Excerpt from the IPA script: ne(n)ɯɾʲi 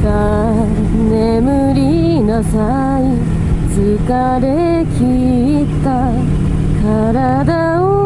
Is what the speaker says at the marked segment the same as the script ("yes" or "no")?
no